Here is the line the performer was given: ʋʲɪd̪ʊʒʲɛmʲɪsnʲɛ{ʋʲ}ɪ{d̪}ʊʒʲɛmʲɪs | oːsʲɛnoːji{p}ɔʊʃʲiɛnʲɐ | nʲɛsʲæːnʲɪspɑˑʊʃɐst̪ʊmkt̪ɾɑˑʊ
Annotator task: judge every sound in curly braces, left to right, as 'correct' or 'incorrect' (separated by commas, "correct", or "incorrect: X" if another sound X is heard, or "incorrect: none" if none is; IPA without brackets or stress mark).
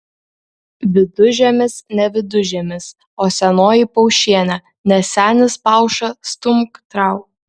correct, correct, correct